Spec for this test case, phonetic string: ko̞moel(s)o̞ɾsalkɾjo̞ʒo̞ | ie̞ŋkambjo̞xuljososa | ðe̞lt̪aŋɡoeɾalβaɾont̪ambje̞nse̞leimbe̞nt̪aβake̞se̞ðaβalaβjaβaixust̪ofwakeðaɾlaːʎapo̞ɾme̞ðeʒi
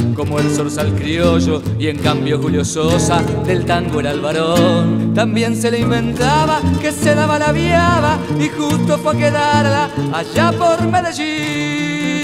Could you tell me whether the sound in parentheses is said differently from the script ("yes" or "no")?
no